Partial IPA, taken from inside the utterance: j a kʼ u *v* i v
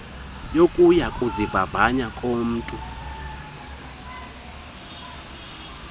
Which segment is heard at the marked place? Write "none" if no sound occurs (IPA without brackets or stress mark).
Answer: z